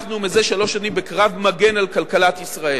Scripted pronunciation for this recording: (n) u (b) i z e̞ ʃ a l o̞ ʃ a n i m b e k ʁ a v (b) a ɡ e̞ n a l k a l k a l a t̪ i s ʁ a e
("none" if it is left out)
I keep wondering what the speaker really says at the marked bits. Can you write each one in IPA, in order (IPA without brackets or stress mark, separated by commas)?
n, m, m